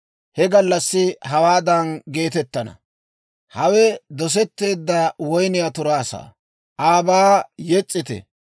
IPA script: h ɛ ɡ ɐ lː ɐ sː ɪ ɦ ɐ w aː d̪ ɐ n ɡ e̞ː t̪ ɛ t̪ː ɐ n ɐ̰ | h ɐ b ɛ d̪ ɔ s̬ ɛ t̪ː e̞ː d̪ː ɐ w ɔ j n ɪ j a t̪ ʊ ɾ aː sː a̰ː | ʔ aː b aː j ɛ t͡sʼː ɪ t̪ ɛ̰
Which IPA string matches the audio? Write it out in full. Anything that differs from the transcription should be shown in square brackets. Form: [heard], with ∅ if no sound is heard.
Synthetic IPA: h ɛ ɡ ɐ lː ɐ sː ɪ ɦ ɐ w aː d̪ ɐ n ɡ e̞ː t̪ ɛ t̪ː ɐ n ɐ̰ | h ɐ [w] ɛ d̪ ɔ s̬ ɛ t̪ː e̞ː d̪ː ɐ w ɔ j n ɪ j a t̪ ʊ ɾ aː [s] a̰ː | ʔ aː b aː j ɛ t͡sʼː ɪ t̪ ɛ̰